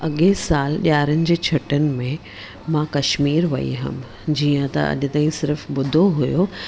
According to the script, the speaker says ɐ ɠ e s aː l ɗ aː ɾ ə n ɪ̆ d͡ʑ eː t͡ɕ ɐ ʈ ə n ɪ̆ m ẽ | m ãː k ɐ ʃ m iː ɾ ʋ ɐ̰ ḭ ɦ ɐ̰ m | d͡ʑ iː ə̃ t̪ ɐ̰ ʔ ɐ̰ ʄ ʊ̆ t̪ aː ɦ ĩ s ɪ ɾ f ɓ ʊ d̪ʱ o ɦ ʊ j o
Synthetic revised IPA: ɐ ɠ e s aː l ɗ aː ɾ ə n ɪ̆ d͡ʑ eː t͡ɕʰ ɐ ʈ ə n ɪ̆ m ẽ | m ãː k ɐ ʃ m iː ɾ ʋ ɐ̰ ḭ ɦ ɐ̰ m | d͡ʑ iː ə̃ t̪ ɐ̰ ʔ ɐ̰ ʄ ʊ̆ t̪ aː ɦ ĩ s ɪ ɾ f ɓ ʊ d̪ʱ o ɦ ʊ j o